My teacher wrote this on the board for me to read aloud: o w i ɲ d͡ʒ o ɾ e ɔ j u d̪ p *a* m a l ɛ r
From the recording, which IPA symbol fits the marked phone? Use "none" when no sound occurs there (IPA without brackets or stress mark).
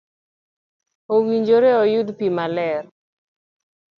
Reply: i